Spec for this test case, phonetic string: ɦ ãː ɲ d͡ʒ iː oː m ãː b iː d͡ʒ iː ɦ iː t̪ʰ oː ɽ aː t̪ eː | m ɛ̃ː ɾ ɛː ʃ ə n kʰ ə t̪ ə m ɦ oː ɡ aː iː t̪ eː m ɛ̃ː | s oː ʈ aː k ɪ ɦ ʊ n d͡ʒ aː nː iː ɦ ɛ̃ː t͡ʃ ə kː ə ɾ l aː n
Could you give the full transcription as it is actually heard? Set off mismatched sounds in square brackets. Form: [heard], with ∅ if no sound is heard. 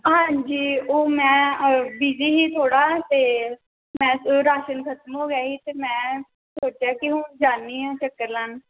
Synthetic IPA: ɦ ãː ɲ d͡ʒ iː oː m [ɛ̃ː] b iː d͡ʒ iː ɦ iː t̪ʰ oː ɽ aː t̪ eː | m ɛ̃ː ɾ [aː] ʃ ə n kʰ ə t̪ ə m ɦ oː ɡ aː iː t̪ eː m ɛ̃ː | s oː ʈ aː k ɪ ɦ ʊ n d͡ʒ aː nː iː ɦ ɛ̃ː t͡ʃ ə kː ə ɾ l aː n

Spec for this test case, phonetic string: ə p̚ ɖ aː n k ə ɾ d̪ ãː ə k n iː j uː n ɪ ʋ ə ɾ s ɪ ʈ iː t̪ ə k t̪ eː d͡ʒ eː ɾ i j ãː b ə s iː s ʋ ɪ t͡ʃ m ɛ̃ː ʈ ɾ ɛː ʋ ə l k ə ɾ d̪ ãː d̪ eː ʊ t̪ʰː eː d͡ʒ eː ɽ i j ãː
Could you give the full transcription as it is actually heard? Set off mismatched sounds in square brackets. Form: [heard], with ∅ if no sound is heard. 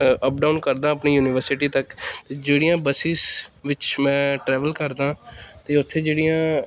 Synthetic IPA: ə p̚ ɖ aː n k ə ɾ d̪ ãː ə [p] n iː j uː n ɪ ʋ ə ɾ s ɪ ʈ iː t̪ ə k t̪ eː d͡ʒ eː [ɽ] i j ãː b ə s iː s ʋ ɪ t͡ʃ m ɛ̃ː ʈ ɾ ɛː ʋ ə l k ə ɾ d̪ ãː [t̪] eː ʊ t̪ʰː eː d͡ʒ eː ɽ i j ãː

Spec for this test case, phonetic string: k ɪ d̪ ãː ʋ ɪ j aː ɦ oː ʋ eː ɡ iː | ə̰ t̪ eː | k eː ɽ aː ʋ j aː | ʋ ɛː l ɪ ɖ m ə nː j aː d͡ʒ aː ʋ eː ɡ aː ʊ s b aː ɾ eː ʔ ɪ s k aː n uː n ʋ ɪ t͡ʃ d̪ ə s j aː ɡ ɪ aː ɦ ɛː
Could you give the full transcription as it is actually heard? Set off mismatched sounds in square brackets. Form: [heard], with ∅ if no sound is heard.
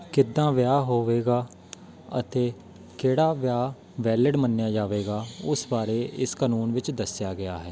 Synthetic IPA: k ɪ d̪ ãː ʋ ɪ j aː ɦ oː ʋ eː ɡ [aː] | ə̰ t̪ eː | k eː ɽ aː ʋ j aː | ʋ ɛː l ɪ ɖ m ə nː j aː d͡ʒ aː ʋ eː ɡ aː ʊ s b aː ɾ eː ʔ ɪ s k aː n uː n ʋ ɪ t͡ʃ d̪ ə s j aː ɡ ɪ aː ɦ ɛː

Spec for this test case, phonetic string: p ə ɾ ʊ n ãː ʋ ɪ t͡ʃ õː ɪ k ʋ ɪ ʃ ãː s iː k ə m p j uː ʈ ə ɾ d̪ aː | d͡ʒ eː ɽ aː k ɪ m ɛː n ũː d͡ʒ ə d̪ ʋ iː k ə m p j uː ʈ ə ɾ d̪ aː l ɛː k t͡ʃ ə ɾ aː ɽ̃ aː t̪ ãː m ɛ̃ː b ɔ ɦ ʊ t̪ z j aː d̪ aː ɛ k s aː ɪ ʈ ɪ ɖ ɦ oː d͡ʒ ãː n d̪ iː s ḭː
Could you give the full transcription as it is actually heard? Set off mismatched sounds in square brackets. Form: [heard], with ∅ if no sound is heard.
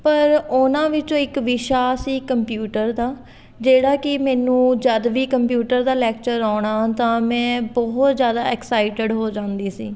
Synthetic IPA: p ə ɾ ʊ n ãː ʋ ɪ t͡ʃ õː ɪ k ʋ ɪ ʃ [aː] s iː k ə m p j uː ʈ ə ɾ d̪ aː | d͡ʒ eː ɽ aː k ɪ m ɛː n ũː d͡ʒ ə d̪ ʋ iː k ə m p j uː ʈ ə ɾ d̪ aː l ɛː k t͡ʃ ə ɾ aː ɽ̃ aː t̪ ãː m ɛ̃ː b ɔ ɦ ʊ t̪ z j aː d̪ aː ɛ k s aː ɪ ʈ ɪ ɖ ɦ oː d͡ʒ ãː n d̪ iː s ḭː

